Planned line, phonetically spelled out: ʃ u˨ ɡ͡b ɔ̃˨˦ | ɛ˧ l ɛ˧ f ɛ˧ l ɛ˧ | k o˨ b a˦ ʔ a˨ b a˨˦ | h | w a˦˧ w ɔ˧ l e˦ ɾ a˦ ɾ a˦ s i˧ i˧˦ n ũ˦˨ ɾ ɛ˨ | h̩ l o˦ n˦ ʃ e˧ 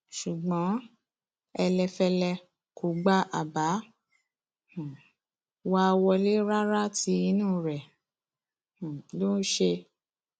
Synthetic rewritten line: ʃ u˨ ɡ͡b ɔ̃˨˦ | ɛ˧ l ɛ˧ f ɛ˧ l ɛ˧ | k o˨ ɡ͡b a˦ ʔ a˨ b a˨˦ | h | w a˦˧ w ɔ˧ l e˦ ɾ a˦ ɾ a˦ t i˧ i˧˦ n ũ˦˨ ɾ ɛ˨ | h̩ l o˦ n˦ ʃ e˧